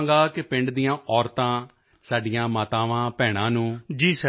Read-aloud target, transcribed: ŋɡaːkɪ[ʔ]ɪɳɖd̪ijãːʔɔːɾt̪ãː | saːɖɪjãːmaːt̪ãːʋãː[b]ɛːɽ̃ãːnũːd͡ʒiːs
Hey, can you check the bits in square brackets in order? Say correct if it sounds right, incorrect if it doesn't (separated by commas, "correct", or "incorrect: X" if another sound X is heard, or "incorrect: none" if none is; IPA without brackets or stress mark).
incorrect: p, incorrect: p